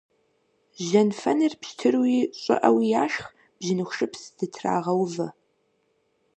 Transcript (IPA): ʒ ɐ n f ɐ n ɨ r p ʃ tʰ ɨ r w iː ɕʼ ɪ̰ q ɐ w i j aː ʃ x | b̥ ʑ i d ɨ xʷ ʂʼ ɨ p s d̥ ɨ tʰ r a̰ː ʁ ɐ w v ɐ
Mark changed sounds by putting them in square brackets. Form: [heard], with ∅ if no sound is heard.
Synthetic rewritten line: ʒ ɐ n f ɐ n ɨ r p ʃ tʰ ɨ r w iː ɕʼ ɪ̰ [ʔ] ɐ w i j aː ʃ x | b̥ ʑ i [n] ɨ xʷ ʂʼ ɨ p s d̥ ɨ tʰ r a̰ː ʁ ɐ w v ɐ